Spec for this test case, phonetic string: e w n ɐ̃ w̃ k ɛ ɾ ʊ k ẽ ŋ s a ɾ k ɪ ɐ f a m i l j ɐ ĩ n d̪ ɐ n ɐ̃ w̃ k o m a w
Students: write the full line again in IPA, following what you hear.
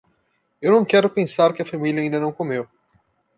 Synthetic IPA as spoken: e w n ɐ̃ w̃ k ɛ ɾ ʊ p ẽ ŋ s a ɾ k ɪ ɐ f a m i l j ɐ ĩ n d̪ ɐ n ɐ̃ w̃ k o m e w